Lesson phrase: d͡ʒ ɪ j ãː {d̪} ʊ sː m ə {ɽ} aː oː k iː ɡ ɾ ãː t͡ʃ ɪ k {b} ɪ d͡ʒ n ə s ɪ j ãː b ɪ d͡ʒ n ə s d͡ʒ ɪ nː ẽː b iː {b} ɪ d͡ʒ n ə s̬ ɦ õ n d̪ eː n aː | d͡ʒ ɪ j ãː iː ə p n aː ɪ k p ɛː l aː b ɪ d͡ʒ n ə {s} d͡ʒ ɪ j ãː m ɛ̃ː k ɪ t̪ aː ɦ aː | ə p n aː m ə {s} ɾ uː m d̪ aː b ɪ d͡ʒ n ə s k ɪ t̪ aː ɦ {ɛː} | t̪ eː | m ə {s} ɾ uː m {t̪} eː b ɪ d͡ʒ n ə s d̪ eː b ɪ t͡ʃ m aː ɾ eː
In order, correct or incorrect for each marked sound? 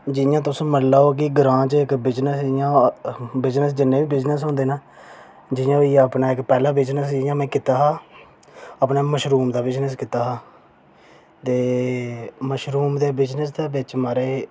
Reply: incorrect: t̪, incorrect: l, correct, correct, correct, incorrect: ʃ, incorrect: aː, incorrect: ʃ, incorrect: d̪

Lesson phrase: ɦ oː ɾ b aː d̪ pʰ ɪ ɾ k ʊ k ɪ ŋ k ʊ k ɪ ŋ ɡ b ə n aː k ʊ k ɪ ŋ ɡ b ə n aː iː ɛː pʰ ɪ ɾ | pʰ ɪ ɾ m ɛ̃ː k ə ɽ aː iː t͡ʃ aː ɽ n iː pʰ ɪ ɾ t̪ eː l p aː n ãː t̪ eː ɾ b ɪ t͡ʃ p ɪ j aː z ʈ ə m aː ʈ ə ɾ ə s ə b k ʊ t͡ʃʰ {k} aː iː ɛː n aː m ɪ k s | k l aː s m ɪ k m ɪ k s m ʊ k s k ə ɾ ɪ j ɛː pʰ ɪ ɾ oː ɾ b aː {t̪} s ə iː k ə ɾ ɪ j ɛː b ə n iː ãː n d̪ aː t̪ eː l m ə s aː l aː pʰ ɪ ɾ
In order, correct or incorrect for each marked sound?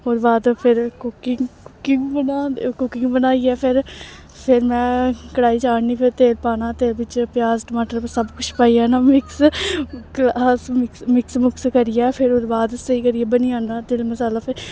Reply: incorrect: p, incorrect: d̪

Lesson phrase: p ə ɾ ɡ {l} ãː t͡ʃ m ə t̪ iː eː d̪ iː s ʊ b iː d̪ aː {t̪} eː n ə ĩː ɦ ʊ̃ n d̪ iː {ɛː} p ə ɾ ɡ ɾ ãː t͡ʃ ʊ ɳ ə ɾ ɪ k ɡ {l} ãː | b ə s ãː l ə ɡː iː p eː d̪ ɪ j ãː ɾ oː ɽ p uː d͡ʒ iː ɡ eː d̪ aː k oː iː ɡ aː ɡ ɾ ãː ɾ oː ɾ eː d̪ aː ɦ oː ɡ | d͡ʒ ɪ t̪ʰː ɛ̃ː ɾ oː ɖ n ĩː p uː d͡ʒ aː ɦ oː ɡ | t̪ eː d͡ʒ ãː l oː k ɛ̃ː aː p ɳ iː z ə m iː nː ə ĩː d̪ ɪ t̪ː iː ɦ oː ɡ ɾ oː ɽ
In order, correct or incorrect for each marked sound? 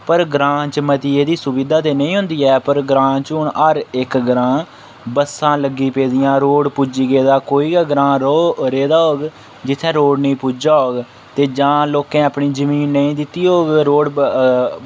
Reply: incorrect: ɾ, correct, correct, incorrect: ɾ

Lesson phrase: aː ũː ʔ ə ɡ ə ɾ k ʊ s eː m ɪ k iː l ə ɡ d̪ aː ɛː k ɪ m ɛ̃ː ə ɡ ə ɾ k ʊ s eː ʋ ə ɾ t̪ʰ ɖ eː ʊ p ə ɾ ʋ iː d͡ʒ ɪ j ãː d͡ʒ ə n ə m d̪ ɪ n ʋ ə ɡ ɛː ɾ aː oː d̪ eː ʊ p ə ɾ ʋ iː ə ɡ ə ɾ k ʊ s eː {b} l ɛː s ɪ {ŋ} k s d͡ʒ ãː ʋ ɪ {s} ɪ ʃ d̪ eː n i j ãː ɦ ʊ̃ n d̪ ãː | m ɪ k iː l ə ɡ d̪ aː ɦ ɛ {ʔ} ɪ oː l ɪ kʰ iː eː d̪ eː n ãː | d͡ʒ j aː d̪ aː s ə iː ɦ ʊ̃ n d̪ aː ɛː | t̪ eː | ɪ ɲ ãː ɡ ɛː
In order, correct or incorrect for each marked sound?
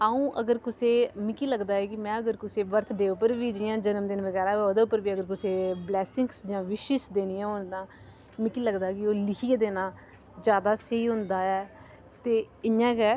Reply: correct, correct, incorrect: ʃ, incorrect: k

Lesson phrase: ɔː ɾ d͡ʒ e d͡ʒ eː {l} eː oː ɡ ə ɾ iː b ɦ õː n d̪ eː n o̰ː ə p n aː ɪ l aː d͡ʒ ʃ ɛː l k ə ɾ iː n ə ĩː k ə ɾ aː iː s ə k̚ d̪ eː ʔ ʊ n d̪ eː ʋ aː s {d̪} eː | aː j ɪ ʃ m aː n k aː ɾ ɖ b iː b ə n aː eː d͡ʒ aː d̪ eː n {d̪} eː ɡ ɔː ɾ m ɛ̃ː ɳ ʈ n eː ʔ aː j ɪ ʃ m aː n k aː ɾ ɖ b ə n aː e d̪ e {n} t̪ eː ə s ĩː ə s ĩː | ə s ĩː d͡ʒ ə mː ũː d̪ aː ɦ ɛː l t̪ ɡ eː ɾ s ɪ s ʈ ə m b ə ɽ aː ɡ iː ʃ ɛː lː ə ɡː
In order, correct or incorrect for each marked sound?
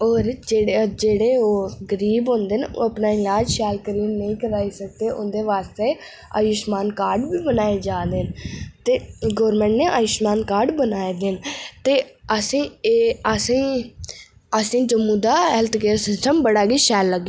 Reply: incorrect: ɽ, incorrect: t̪, incorrect: t̪, correct

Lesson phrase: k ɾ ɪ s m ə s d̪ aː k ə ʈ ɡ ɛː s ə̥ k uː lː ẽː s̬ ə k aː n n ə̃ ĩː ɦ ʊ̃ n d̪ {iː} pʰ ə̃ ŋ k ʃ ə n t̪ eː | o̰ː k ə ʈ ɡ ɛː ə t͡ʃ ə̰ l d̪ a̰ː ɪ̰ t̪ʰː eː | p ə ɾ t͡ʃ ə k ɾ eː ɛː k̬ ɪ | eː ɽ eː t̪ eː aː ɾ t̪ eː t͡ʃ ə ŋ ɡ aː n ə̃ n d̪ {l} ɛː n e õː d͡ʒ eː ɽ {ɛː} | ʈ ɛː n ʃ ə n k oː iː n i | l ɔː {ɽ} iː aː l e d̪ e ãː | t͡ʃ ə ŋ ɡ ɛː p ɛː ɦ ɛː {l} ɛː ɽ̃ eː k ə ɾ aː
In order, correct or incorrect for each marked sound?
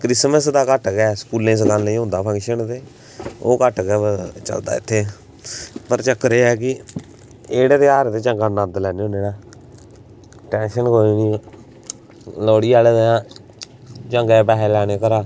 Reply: incorrect: aː, correct, incorrect: aː, correct, correct

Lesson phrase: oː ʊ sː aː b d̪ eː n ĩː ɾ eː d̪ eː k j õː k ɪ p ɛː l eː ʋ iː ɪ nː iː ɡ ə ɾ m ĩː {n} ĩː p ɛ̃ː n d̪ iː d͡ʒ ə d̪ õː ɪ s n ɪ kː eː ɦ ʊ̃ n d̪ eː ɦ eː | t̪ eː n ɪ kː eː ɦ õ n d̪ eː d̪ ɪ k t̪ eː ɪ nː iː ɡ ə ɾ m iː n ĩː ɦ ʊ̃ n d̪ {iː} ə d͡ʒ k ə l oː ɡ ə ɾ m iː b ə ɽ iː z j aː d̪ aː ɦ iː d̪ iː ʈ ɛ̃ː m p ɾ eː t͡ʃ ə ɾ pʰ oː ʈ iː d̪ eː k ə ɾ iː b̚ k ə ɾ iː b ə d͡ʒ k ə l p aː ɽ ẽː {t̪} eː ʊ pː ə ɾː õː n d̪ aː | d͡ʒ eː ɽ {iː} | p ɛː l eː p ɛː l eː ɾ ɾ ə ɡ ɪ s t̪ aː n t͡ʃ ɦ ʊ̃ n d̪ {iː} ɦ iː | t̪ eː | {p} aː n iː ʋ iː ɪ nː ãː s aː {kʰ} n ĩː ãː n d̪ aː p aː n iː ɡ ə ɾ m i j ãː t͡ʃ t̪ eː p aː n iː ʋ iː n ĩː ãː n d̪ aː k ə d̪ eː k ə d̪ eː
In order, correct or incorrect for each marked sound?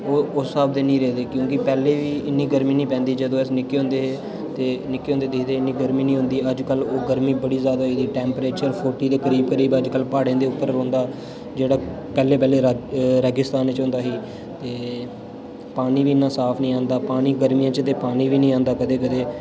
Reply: correct, correct, incorrect: d̪, incorrect: aː, incorrect: aː, correct, incorrect: pʰ

